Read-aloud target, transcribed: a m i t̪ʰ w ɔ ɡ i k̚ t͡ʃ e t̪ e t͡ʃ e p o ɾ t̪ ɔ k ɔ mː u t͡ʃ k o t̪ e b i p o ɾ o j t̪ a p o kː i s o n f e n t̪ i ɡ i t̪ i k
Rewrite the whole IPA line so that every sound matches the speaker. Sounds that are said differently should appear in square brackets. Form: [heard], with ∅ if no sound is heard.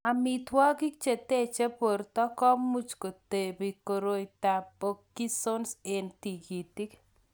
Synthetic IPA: a m i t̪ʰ w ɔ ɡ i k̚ t͡ʃ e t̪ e t͡ʃ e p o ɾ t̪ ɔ k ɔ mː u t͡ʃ k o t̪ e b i [k] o ɾ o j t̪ a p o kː i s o n [s] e n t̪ i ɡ i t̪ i k